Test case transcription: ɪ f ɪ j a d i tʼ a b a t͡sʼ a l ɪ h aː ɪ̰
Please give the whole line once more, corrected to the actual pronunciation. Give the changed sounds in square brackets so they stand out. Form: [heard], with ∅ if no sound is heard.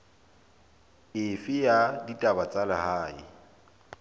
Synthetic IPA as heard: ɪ f ɪ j a d i tʼ a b a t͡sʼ a l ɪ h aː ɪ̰

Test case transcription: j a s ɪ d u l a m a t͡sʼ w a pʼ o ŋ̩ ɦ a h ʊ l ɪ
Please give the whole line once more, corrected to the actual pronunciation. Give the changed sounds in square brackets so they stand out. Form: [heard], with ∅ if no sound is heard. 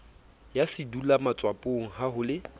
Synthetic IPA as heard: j a s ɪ d u l a m a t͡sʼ w a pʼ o ŋ̩ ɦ a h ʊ l ɪ

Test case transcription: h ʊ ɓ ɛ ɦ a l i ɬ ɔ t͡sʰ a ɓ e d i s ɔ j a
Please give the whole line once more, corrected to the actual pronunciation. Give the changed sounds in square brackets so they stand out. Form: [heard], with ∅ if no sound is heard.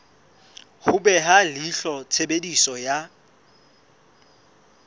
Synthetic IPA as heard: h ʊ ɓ ɛ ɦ a l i ɬ ɔ t͡sʰ [e] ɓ e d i s ɔ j a

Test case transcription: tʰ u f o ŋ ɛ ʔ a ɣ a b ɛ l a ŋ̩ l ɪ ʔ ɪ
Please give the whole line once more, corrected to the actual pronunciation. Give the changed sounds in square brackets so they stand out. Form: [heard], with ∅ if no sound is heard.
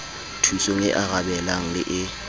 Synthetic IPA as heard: tʰ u [s] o ŋ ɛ ʔ a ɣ a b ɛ l a ŋ̩ l ɪ ʔ ɪ

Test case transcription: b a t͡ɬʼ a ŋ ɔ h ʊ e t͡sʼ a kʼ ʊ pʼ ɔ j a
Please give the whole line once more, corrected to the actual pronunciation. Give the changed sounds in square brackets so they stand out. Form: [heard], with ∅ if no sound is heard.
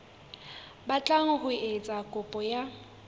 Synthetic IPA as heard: b a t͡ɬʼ a ŋ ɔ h ʊ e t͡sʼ a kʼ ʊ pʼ ɔ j a

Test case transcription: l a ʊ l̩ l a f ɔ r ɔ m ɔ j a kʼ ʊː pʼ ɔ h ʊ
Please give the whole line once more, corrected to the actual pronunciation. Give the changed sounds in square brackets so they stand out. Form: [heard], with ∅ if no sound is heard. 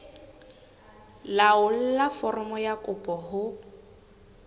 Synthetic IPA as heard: l a ʊ l̩ l a f ɔ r ɔ m ɔ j a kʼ [ʊ] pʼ ɔ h ʊ

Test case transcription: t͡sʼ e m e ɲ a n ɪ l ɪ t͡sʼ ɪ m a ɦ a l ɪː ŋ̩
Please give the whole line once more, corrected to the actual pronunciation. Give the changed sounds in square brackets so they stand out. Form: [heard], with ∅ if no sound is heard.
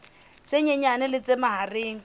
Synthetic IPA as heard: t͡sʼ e [ɲ] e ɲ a n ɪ l ɪ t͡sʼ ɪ m a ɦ a [r] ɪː ŋ̩

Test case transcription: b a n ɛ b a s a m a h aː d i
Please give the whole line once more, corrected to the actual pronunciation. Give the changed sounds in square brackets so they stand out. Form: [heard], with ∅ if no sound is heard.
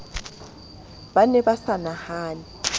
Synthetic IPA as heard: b a n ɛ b a s a [n] a h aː [n] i

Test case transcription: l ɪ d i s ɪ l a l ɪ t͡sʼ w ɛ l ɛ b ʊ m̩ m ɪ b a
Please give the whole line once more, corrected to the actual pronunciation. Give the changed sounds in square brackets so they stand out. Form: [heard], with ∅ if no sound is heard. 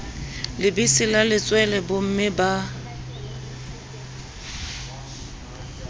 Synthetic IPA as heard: l ɪ [b] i s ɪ l a l ɪ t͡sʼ w ɛ l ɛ b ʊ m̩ m ɪ b a

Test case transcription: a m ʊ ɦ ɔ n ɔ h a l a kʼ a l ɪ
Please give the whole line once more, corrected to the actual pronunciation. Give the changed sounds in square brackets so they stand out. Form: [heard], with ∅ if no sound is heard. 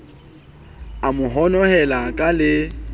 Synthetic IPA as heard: a m ʊ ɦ ɔ n ɔ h [ɛ] l a kʼ a l ɪ

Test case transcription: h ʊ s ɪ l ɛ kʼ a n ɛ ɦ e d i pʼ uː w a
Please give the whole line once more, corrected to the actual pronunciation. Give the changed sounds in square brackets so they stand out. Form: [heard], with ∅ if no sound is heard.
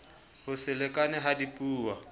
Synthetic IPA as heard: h ʊ s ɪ l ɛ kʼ a n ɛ ɦ [a] d i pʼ uː w a

